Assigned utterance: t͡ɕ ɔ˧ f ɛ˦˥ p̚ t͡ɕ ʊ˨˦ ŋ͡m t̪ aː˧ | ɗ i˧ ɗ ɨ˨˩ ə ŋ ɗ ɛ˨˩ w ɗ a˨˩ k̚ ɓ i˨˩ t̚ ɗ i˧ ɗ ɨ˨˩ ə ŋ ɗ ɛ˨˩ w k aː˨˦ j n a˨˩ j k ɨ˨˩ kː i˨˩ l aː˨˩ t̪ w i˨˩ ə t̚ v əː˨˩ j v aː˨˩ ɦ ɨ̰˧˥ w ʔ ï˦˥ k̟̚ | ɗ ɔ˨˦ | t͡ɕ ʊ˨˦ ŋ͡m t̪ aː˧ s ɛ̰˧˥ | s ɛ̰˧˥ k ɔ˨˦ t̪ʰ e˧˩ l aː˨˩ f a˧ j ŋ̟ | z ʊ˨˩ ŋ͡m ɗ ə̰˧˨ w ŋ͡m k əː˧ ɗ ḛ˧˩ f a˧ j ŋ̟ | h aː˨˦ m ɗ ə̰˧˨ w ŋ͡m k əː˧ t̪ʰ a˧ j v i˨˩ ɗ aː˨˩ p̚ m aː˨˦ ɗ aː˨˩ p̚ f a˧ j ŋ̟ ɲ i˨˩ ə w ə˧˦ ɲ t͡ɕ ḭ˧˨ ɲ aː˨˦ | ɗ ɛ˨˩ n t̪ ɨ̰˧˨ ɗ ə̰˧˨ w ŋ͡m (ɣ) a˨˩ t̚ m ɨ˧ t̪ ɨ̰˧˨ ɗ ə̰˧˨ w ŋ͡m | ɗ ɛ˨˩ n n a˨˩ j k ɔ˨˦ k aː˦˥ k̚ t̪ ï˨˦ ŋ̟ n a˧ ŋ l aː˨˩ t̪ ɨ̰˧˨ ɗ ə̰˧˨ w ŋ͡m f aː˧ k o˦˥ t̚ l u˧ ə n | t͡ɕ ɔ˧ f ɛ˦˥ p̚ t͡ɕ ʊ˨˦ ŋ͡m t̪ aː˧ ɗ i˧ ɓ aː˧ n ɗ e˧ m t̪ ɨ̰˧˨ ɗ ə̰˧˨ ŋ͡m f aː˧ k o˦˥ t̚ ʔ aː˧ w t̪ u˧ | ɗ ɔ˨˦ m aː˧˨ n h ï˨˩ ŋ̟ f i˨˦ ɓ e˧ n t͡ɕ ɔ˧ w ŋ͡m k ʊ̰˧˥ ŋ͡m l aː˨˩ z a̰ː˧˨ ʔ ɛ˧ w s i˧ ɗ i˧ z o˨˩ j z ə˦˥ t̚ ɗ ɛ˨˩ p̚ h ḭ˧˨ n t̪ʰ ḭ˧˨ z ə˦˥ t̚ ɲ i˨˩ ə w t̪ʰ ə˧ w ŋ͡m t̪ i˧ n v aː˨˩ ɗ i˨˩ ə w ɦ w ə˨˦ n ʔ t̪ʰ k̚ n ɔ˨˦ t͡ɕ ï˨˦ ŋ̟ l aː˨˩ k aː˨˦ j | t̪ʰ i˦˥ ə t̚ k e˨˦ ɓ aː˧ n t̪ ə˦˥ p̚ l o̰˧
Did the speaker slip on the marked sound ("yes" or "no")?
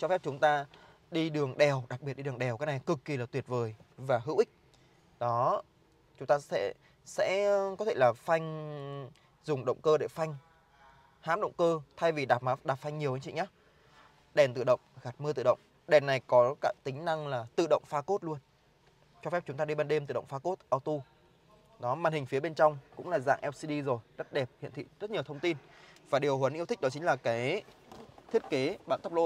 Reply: no